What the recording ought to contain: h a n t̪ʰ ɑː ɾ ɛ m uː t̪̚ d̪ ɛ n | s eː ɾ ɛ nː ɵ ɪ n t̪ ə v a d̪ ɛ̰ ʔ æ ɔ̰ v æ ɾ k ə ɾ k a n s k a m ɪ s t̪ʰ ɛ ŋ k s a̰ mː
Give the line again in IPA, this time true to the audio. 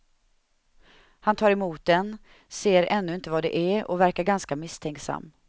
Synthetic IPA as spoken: h a n t̪ʰ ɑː ɾ ɛ m uː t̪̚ d̪ ɛ n | s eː ɾ ɛ nː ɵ ɪ n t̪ ə v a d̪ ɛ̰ ʔ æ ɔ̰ v æ ɾ k a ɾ ɡ a n s k a m ɪ s t̪ʰ ɛ ŋ k s a̰ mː